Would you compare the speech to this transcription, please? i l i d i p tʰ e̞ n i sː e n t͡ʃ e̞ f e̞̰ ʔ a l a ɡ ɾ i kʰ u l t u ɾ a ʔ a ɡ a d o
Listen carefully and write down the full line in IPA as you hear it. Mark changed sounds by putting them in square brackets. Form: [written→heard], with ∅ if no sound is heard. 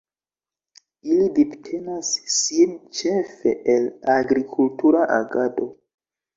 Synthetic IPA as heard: i l i d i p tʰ e̞ n [i→a] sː [e→i] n t͡ʃ e̞ f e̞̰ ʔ [a→e] l a ɡ ɾ i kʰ u l t u ɾ a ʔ a ɡ a d o